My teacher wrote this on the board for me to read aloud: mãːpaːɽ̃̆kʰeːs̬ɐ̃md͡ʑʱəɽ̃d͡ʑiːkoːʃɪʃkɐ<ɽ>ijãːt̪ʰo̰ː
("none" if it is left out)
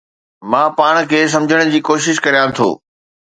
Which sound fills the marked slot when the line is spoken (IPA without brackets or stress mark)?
ɾ